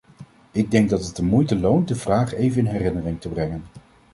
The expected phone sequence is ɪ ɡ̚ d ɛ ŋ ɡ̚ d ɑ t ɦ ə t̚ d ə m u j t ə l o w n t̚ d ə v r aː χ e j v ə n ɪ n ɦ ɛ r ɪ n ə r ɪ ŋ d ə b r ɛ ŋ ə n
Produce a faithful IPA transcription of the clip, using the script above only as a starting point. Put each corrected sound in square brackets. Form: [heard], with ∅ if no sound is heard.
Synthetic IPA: ɪ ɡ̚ d ɛ ŋ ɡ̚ d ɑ t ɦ ə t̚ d ə m u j t ə l o w n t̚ d ə v r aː χ e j v ə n ɪ n ɦ ɛ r ɪ n ə r ɪ ŋ [t] ə b r ɛ ŋ ə n